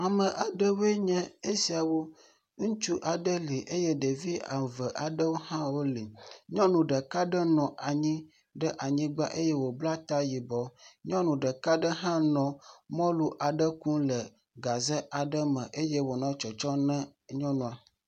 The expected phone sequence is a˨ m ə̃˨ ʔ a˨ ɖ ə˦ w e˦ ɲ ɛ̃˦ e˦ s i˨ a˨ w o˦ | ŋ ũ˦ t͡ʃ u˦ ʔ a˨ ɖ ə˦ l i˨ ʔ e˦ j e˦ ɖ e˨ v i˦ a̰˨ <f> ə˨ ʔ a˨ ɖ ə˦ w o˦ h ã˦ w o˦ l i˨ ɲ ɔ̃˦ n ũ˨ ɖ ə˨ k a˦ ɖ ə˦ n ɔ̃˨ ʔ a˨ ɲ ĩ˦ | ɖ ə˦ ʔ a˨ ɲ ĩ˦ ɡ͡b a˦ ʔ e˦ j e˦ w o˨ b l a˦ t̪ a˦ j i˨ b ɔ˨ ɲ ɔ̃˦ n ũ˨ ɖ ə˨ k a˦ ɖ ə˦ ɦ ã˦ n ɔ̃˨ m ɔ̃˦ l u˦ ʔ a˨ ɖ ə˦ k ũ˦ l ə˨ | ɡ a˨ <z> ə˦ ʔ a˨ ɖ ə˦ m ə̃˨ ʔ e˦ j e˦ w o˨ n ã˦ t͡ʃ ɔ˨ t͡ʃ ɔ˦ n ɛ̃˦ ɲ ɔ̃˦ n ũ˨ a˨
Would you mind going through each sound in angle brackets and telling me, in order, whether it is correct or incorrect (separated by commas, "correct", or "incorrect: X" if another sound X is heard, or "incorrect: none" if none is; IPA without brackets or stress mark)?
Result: incorrect: v, correct